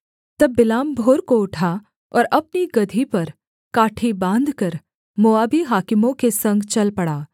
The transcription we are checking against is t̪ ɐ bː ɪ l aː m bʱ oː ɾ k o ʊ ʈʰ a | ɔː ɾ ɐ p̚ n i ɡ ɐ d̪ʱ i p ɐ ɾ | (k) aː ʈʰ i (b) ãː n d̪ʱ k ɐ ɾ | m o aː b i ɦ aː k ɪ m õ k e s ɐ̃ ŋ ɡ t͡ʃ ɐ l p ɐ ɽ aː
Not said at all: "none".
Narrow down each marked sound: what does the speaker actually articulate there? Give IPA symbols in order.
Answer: k, b

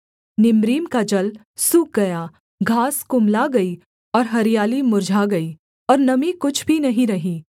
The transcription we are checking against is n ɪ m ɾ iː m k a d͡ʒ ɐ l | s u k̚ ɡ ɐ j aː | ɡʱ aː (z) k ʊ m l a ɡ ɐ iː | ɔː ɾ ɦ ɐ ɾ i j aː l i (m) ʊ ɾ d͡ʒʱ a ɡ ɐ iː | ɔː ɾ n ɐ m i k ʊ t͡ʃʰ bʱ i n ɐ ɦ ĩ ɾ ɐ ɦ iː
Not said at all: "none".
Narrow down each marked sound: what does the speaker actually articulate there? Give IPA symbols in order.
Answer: s, m

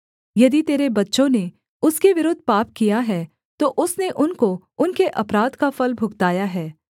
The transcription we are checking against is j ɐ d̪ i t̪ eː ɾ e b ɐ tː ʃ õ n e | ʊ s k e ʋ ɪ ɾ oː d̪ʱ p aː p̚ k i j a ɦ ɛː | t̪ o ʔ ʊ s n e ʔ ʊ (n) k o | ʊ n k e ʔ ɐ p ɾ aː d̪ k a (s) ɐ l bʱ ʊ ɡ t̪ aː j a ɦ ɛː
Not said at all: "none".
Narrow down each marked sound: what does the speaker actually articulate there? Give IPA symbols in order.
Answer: n, f

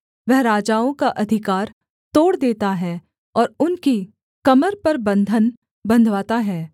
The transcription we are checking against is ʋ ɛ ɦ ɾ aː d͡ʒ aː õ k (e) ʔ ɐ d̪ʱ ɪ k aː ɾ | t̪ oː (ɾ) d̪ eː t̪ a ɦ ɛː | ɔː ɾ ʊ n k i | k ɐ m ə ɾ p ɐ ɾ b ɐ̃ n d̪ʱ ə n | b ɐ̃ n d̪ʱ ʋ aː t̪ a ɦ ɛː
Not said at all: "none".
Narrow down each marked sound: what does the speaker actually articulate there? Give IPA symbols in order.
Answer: a, ɽ

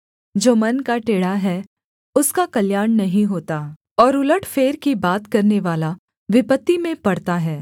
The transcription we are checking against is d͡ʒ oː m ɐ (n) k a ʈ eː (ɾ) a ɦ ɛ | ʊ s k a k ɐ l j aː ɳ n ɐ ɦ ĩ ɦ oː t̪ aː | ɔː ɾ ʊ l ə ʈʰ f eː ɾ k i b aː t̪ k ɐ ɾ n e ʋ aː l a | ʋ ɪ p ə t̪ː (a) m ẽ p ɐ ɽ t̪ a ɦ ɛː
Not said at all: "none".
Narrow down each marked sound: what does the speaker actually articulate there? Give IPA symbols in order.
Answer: n, ɽ, i

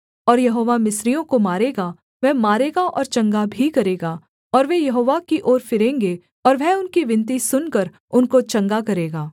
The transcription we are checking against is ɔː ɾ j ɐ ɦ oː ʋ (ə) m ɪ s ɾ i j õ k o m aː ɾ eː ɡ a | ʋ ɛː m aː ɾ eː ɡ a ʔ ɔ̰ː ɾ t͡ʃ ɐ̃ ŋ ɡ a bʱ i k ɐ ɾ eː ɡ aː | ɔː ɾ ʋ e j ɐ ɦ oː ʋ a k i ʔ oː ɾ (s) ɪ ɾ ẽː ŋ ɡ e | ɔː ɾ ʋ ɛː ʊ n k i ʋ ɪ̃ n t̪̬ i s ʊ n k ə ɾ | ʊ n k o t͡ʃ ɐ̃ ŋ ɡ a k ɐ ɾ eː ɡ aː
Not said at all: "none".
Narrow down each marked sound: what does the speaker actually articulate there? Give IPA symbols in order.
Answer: a, f

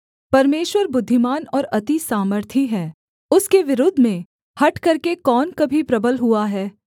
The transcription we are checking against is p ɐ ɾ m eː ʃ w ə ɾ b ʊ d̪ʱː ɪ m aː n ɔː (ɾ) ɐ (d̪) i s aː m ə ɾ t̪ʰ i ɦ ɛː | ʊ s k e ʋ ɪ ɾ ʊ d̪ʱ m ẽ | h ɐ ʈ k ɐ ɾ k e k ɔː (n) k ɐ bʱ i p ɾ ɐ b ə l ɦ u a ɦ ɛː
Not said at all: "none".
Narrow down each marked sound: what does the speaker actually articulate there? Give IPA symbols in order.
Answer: ɾ, t̪, n

